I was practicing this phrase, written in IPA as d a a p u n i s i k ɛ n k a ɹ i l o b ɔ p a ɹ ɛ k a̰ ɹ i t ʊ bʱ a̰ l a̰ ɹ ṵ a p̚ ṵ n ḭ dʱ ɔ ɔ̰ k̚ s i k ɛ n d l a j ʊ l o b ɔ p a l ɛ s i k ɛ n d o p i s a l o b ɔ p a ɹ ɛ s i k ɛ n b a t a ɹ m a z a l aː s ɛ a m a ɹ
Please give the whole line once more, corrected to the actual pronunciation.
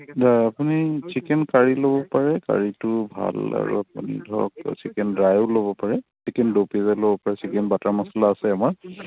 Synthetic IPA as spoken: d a a p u n i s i k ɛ n k a ɹ i l o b ɔ p a ɹ ɛ k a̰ ɹ i t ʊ bʱ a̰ l a̰ ɹ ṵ a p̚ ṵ n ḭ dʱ ɔ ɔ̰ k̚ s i k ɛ n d ɹ a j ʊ l o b ɔ p a ɹ ɛ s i k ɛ n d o p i z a l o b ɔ p a ɹ ɛ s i k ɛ n b a t a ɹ m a s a l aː s ɛ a m a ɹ